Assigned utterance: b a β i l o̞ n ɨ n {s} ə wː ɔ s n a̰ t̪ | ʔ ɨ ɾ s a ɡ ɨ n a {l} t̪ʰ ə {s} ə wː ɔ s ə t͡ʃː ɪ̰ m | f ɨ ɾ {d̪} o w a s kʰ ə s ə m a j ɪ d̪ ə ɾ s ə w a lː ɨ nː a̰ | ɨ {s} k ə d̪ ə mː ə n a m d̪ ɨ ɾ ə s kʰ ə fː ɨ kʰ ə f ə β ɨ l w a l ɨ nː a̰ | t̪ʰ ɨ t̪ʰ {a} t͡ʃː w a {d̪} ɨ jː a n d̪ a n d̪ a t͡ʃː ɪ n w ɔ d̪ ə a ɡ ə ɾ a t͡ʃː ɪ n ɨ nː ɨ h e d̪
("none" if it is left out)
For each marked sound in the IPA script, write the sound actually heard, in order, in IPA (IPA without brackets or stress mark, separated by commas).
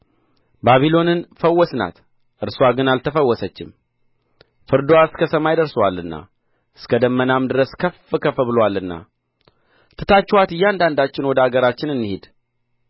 f, l, f, d̪, s, a, t̪